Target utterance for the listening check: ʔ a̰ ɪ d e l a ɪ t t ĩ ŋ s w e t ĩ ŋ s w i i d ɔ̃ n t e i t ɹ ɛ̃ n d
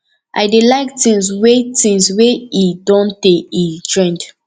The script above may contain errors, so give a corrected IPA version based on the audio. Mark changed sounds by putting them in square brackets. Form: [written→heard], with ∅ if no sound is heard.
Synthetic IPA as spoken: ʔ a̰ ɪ d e l a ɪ [t→k] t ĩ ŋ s w e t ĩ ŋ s w [i→e] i d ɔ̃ n t e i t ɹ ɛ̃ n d